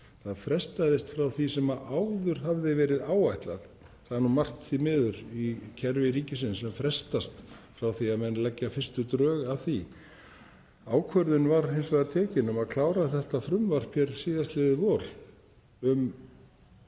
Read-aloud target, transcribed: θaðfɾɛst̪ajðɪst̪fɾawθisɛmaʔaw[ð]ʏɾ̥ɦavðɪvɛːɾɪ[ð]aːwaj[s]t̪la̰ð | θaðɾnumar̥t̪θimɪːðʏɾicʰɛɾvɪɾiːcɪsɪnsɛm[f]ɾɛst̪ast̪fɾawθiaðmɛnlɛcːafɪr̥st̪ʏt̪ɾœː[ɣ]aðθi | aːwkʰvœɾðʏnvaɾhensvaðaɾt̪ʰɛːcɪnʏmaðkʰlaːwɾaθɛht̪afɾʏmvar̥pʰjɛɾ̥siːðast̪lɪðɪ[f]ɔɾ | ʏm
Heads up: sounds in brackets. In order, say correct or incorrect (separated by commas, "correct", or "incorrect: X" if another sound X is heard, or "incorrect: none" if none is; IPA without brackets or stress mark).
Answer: correct, correct, incorrect: h, correct, correct, incorrect: v